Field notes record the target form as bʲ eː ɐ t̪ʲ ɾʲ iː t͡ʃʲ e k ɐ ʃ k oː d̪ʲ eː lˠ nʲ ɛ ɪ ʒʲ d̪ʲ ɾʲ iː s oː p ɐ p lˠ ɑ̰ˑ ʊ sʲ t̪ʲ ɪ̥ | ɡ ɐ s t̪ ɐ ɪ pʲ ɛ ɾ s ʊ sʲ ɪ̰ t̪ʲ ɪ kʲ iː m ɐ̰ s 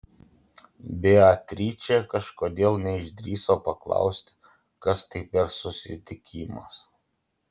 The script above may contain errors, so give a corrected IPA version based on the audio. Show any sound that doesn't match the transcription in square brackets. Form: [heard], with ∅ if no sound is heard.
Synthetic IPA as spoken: bʲ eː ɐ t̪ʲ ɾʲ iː t͡ʃʲ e k ɐ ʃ k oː d̪ʲ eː lˠ nʲ ɛ ɪ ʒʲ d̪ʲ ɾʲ iː s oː p ɐ [k] lˠ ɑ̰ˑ ʊ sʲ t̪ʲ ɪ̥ | [k] ɐ s t̪ ɐ ɪ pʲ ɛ ɾ s ʊ sʲ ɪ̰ t̪ʲ ɪ kʲ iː m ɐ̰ s